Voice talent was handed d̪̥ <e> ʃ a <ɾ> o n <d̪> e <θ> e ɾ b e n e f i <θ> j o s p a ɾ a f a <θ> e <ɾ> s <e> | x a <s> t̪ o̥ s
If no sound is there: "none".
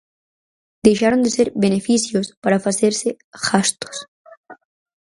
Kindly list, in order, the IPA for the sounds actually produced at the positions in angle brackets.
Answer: e, ɾ, d̪, s, s, s, ɾ, e, s

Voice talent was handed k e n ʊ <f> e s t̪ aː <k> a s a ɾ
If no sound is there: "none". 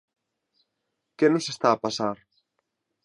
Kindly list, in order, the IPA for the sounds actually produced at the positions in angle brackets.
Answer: s, p

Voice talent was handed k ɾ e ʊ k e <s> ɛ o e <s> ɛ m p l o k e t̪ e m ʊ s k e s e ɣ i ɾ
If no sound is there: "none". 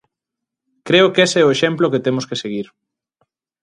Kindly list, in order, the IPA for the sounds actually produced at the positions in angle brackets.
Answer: s, ʃ

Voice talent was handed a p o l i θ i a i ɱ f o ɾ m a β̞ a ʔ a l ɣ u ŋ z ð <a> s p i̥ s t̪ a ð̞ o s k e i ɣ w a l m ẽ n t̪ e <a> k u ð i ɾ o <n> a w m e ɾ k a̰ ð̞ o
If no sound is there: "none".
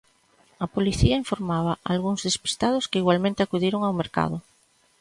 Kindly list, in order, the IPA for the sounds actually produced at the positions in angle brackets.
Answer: e, a, ŋ

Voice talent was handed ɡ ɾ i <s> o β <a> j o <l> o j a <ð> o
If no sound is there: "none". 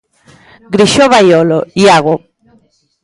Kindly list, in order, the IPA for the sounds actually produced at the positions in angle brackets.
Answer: ʃ, a, l, ɣ

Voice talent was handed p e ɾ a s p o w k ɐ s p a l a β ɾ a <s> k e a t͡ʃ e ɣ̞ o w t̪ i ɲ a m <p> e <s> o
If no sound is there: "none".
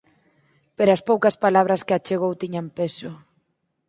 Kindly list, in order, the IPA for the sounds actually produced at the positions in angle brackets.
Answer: s, p, s

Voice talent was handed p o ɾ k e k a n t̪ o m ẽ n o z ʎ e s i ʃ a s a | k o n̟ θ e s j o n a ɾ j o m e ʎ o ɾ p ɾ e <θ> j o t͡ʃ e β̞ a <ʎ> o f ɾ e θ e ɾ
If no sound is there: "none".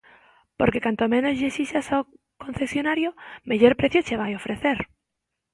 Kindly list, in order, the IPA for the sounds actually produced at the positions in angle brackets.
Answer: θ, j

